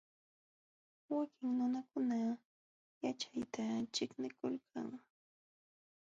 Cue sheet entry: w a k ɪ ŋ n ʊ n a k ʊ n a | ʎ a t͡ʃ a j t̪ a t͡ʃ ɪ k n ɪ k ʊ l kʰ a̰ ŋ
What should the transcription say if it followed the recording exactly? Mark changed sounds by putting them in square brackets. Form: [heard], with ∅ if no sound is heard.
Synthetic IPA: w a k ɪ ŋ n ʊ n a k ʊ n a | [j] a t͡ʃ a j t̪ a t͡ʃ ɪ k n ɪ k ʊ l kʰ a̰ ŋ